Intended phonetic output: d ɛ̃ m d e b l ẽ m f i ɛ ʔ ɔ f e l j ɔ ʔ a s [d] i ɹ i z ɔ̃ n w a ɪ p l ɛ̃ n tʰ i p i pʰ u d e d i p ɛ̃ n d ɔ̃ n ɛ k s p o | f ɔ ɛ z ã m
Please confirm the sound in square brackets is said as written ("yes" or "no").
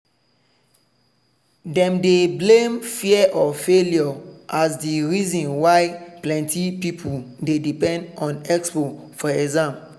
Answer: yes